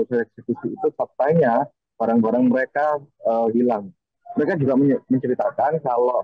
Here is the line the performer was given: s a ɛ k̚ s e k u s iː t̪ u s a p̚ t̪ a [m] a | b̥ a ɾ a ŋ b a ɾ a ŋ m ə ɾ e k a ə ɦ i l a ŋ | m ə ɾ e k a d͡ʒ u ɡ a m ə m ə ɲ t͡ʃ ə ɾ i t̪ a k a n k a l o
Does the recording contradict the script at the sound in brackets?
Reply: yes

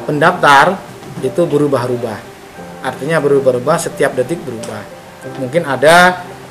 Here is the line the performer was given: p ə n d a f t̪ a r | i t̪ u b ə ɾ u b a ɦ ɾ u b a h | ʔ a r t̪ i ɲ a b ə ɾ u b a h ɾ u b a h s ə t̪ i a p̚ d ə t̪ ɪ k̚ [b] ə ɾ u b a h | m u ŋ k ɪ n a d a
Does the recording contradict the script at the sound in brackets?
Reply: no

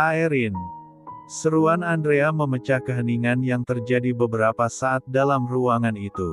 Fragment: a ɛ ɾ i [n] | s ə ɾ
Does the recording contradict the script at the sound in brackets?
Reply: no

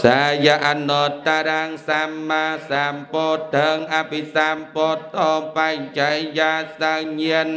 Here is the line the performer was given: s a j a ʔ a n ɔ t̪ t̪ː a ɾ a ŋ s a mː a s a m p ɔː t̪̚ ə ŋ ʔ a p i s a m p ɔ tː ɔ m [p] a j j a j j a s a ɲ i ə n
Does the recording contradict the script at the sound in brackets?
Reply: no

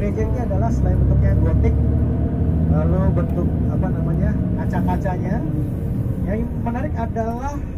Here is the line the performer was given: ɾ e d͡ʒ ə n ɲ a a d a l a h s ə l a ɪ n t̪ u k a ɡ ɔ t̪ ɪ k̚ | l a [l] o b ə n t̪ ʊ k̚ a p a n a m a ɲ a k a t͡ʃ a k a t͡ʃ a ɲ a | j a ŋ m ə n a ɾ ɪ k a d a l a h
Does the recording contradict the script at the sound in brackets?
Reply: no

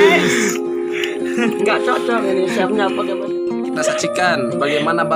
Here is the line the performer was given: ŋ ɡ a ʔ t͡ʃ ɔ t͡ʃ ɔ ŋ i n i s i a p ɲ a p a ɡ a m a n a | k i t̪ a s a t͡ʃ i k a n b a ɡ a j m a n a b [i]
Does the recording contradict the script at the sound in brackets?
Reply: yes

